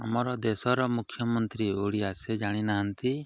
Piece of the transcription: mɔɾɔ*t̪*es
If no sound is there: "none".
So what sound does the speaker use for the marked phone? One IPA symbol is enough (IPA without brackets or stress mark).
d̪